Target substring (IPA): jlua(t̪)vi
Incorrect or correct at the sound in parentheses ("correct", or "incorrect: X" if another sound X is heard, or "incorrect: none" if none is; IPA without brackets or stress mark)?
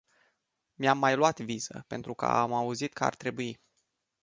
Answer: correct